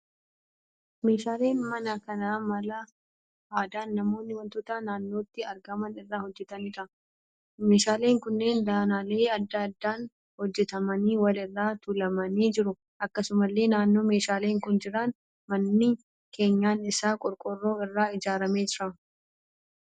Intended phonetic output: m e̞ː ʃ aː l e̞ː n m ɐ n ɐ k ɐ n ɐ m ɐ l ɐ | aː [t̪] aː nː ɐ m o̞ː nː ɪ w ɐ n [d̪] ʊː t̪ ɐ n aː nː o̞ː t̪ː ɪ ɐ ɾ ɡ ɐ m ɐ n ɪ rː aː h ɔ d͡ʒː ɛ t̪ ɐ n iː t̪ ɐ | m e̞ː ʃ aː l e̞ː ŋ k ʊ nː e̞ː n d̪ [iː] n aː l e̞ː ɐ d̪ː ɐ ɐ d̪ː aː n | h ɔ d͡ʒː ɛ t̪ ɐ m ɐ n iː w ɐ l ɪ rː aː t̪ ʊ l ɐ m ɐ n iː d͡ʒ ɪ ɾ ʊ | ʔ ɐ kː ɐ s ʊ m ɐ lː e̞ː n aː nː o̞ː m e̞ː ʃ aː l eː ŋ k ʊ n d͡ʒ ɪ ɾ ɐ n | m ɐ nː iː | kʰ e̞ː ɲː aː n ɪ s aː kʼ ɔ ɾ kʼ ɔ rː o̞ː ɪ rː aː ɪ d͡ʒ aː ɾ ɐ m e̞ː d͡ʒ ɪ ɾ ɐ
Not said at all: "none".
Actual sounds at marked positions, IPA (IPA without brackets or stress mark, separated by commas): d̪, t̪, aː